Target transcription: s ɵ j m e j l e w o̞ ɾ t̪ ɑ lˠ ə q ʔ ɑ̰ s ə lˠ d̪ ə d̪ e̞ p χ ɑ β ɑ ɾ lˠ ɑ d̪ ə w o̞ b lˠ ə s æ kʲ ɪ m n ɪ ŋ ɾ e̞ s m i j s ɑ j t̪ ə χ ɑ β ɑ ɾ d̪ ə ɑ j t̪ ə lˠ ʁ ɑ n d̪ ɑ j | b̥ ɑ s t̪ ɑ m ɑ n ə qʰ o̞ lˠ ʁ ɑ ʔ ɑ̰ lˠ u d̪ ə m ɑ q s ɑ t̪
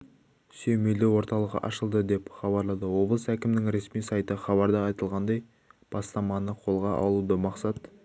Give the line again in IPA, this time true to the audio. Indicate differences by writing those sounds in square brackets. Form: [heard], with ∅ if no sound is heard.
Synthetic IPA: s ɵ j m e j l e w o̞ ɾ t̪ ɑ lˠ ə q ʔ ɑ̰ [ʃ] ə lˠ d̪ ə d̪ e̞ p χ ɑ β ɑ ɾ lˠ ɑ d̪ ə w o̞ b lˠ ə s æ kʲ ɪ m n ɪ ŋ ɾ e̞ s m i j s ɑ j t̪ ə χ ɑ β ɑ ɾ d̪ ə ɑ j t̪ ə lˠ ʁ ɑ n d̪ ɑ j | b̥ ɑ s t̪ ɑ m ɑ n ə qʰ o̞ lˠ ʁ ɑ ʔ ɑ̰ lˠ u d̪ ə m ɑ q s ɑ t̪